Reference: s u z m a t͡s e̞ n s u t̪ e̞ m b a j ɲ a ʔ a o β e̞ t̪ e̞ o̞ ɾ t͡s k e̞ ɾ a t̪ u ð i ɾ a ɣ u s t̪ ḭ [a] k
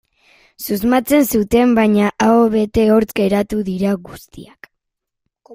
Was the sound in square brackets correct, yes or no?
yes